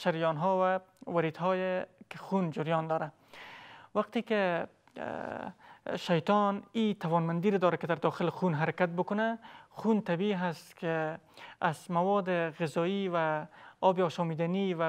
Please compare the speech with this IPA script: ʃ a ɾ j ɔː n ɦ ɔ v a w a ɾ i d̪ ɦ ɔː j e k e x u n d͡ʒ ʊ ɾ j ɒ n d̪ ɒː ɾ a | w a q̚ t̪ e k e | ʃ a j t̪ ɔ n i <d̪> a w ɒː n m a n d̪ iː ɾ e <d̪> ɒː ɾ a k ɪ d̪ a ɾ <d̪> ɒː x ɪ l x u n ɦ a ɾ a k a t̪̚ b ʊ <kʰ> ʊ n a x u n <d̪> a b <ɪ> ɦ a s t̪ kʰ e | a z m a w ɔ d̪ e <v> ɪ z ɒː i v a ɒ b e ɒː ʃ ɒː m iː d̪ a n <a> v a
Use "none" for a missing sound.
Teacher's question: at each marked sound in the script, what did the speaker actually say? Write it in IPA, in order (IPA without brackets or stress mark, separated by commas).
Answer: t̪, d̪, d̪, k, t̪, i, ɣ, i